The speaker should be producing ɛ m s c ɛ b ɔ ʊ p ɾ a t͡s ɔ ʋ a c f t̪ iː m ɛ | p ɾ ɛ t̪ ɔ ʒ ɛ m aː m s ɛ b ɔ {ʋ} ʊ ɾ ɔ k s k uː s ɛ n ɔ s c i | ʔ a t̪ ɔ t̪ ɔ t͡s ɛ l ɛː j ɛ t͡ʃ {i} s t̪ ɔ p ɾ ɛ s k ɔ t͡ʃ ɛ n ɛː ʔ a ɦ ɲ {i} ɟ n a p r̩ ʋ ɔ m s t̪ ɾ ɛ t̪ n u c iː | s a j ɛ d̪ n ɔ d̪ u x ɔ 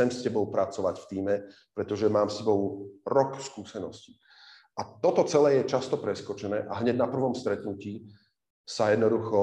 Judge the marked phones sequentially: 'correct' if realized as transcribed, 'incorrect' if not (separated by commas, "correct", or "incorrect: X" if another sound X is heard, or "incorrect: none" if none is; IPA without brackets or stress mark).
incorrect: none, incorrect: a, incorrect: ɛ